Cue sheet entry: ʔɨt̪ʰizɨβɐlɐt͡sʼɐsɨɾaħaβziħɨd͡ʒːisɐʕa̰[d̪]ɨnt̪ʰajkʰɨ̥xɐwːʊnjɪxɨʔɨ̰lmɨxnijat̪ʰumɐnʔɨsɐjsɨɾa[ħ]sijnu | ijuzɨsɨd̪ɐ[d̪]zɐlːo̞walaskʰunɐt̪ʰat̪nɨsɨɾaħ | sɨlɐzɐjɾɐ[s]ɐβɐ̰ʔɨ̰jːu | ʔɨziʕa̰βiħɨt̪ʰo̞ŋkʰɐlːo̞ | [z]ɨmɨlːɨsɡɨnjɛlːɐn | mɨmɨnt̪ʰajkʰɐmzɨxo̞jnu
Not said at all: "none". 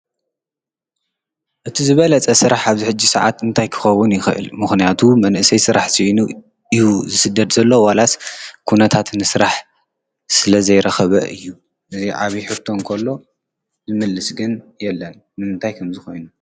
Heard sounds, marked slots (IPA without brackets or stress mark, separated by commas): t̪, ħ, d̪, x, z